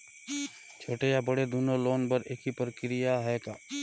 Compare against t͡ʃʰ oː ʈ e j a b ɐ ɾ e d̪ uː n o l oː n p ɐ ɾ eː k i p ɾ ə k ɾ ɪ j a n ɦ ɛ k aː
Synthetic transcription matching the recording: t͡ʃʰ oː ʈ e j a b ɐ ɽ e d̪ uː n o l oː n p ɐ ɾ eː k i p ɾ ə k ɾ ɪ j a ɦ ɛ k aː